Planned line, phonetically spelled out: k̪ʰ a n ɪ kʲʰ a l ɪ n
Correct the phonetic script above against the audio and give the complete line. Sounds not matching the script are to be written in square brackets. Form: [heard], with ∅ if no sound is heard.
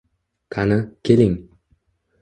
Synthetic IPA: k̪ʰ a n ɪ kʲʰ [e] l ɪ [ŋ]